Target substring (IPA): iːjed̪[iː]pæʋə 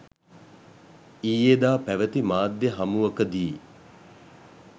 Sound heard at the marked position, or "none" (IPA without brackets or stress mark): aː